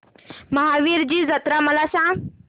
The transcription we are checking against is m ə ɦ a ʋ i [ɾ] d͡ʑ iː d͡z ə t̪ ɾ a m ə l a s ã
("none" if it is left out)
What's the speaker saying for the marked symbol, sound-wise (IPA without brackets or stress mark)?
ɾ